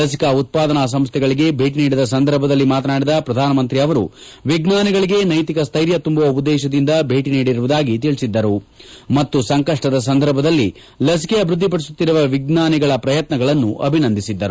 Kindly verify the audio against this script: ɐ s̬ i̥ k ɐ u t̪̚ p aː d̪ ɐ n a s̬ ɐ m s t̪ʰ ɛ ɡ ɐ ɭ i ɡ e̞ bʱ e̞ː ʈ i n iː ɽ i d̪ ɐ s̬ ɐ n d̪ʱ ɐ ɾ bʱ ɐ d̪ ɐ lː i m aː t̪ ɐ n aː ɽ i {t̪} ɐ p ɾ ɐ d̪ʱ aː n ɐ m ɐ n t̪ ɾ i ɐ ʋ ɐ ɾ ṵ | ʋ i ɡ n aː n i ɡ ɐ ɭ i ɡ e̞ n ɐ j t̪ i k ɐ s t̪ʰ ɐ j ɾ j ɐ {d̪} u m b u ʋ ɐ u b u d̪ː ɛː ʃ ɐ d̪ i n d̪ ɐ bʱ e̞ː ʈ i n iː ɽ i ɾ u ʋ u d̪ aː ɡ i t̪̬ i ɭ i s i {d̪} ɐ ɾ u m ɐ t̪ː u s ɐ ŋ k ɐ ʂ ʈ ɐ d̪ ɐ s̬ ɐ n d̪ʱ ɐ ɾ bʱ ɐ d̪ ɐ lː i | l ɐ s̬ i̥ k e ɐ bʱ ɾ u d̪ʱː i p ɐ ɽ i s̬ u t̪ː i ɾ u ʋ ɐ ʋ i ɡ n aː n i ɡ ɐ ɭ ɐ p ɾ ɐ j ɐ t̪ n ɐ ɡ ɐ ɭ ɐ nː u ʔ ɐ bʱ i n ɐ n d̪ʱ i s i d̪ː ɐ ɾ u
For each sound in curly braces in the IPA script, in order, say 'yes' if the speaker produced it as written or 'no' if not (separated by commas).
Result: no, no, no